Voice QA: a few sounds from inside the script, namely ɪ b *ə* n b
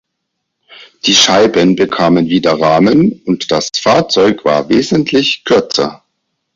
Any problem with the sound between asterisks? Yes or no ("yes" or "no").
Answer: no